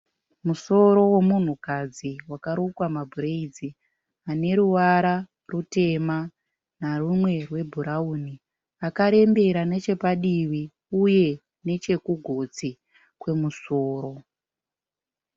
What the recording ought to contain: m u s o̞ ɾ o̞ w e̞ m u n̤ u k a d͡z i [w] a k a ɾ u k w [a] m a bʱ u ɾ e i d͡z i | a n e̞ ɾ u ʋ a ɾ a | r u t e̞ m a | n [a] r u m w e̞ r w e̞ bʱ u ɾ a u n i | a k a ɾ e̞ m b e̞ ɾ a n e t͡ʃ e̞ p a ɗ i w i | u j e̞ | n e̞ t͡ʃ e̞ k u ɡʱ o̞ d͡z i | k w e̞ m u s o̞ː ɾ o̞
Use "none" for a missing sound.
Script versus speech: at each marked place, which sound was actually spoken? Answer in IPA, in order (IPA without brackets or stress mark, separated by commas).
w, a, a